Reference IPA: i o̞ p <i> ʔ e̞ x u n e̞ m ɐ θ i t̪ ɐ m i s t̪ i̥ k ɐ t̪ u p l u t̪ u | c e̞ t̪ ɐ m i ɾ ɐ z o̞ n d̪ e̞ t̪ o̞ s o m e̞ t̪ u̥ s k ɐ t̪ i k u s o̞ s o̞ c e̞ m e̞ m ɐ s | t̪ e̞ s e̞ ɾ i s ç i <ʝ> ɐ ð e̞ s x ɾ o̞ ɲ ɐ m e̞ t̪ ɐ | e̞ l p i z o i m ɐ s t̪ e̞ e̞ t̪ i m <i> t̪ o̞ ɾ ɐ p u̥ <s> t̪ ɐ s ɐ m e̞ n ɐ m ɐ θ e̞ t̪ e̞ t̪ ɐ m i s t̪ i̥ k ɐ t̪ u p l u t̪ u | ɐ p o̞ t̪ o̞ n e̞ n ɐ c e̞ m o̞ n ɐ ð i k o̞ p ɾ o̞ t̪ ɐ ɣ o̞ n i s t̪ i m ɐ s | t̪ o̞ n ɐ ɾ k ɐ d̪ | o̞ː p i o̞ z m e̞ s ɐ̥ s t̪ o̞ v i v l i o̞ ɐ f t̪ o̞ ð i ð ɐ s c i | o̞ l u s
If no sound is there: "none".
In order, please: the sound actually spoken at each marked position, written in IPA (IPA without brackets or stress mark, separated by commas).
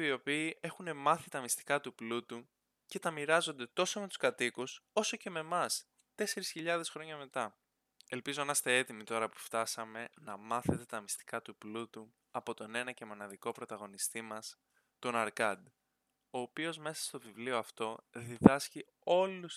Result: iː, ʎ, i, f